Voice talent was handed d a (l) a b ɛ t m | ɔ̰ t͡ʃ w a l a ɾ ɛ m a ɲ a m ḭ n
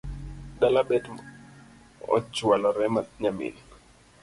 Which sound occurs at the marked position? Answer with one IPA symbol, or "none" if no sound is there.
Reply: l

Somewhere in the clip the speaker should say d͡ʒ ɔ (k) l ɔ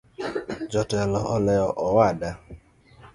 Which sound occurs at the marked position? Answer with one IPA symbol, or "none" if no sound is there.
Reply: t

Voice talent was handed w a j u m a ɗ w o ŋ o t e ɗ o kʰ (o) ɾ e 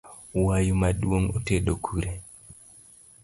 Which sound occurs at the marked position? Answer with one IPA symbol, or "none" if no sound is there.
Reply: u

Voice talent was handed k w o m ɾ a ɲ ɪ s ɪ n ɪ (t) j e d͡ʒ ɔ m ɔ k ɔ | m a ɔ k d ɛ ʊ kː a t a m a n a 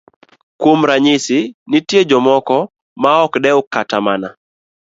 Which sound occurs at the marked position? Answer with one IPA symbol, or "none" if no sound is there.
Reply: t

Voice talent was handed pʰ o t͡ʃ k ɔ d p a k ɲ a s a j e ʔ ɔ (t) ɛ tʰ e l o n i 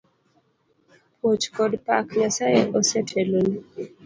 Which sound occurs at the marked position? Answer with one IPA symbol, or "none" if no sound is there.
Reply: s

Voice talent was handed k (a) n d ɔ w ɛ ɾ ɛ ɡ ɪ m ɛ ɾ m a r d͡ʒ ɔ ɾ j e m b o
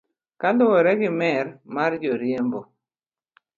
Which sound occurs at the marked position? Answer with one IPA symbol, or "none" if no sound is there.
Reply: a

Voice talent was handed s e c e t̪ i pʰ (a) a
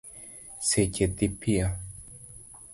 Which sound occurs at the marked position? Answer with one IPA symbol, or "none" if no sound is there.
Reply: i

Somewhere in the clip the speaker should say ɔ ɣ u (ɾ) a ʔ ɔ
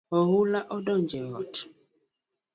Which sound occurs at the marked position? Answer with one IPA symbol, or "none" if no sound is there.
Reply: l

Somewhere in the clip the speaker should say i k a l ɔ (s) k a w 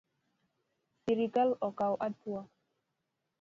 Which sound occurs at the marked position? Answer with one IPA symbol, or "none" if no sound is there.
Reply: none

